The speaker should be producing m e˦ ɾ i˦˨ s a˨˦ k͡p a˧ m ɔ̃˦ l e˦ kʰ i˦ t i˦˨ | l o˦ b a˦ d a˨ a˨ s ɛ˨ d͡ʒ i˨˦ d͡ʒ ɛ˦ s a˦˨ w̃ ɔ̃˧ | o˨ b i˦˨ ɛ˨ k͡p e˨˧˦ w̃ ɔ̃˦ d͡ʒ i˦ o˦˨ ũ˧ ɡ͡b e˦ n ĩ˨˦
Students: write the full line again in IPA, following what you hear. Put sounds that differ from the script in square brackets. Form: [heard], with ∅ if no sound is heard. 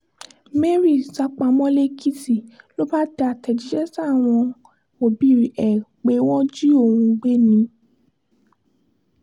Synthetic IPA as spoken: m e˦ ɾ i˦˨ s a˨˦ k͡p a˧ m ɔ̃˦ l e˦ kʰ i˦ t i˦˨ | l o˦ b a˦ d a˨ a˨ [t] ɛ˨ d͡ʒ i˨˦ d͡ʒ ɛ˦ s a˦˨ w̃ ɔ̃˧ | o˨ b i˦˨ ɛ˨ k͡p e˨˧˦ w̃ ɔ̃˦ d͡ʒ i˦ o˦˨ ũ˧ ɡ͡b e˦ n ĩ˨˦